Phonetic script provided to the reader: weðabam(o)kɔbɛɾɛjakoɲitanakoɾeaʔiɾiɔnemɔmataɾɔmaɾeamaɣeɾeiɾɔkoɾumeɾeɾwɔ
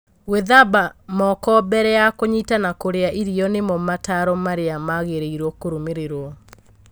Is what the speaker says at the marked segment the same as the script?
no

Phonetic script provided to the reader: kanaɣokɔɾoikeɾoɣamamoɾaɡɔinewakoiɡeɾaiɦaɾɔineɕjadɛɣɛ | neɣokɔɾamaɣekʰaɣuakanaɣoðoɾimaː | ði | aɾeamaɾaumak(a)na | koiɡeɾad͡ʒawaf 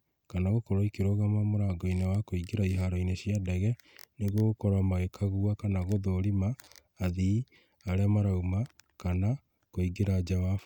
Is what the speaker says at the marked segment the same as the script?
yes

